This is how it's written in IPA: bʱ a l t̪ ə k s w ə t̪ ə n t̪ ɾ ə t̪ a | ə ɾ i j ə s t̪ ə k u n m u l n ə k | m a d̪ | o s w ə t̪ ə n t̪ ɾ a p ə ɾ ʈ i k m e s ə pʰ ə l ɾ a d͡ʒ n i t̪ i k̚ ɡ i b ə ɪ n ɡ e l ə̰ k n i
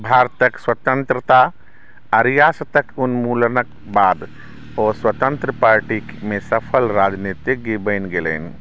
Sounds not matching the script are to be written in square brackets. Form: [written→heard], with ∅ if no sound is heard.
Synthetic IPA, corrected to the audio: bʱ a [l→ɾ] t̪ ə k s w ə t̪ ə n t̪ ɾ ə t̪ a | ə ɾ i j [ə→a] s t̪ ə k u n m u l n ə k | [m→b] a d̪ | o s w ə t̪ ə n t̪ ɾ [a→ə] p [ə→a] ɾ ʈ i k m e s ə pʰ ə l ɾ a d͡ʒ n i t̪ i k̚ ɡ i b ə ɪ n ɡ e l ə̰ [k→∅] n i